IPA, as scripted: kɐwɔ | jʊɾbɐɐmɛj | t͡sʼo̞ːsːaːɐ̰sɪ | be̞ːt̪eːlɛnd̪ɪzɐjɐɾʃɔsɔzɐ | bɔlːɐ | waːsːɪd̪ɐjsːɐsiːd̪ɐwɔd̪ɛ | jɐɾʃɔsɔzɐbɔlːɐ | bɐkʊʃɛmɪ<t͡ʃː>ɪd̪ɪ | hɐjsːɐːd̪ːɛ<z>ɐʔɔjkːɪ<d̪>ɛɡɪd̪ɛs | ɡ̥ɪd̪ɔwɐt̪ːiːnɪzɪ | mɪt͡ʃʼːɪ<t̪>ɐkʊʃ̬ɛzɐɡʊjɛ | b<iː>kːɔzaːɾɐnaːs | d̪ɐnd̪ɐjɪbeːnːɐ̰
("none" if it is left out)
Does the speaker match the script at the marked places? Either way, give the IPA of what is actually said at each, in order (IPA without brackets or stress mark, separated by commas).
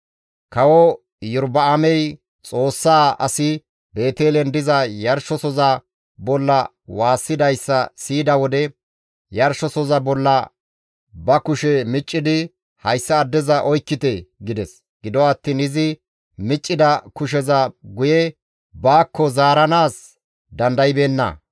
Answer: t͡ʃʼː, z, t̪, d̪, aː